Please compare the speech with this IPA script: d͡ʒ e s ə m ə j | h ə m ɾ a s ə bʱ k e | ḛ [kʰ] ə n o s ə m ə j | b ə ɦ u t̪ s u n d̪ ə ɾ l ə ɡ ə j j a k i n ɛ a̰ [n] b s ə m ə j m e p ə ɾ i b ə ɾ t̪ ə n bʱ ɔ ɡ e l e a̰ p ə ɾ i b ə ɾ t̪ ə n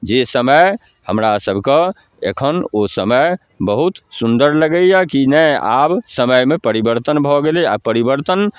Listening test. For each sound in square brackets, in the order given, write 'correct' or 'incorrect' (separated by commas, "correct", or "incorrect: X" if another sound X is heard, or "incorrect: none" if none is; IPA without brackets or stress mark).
correct, incorrect: none